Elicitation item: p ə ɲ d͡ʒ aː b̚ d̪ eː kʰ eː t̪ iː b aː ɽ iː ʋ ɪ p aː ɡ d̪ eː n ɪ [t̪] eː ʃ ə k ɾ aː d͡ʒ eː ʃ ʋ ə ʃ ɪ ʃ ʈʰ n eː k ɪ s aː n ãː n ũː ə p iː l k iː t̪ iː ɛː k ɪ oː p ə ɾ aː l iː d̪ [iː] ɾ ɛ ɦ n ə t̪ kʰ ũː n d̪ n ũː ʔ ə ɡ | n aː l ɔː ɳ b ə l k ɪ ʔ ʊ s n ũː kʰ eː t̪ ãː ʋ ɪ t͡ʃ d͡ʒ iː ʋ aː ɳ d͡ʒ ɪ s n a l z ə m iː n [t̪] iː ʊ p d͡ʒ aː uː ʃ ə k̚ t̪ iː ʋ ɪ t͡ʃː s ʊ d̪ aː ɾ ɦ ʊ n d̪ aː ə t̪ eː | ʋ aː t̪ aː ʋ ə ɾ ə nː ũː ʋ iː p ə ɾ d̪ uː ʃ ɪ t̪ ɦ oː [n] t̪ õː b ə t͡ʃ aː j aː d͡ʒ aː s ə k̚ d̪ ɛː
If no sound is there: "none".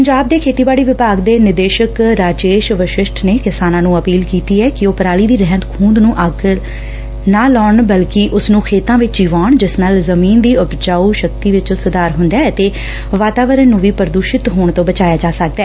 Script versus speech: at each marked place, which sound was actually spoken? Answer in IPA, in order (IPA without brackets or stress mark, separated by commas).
d̪, iː, d̪, ɳ